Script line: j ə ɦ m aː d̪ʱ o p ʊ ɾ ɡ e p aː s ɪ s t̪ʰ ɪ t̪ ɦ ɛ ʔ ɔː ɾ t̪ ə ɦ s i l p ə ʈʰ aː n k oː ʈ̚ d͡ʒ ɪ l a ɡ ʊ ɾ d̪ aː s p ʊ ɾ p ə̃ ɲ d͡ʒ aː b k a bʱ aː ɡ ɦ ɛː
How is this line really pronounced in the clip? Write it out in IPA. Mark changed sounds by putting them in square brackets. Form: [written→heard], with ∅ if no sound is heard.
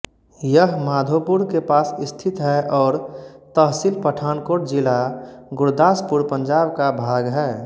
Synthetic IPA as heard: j ə ɦ m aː d̪ʱ o p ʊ ɾ [ɡ→k] e p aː s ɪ s t̪ʰ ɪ t̪ ɦ ɛ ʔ ɔː ɾ t̪ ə ɦ s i l p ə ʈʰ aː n k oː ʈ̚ d͡ʒ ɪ l a ɡ ʊ ɾ d̪ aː s p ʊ ɾ p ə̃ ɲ d͡ʒ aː b k a bʱ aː ɡ ɦ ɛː